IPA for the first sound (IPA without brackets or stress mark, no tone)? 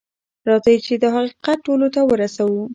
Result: ɾ